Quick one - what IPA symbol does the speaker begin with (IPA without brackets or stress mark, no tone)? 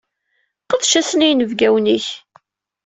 q